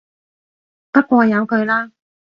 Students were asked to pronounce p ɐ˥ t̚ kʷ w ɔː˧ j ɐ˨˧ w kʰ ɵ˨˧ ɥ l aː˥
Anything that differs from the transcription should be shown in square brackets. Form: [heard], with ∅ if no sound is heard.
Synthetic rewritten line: p ɐ˥ t̚ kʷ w ɔː˧ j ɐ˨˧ w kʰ ɵ˨˧ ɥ l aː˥